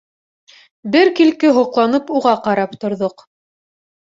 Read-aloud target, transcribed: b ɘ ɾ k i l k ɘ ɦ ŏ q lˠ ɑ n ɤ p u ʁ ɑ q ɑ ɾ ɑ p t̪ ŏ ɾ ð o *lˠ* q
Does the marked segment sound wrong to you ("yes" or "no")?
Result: yes